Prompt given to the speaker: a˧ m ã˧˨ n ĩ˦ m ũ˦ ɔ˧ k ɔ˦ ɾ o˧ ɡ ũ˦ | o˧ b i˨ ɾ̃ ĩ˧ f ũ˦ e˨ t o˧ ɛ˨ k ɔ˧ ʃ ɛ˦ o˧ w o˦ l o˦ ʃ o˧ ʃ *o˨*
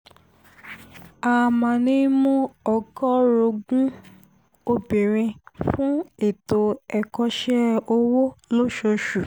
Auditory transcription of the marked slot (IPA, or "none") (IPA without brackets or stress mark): u˨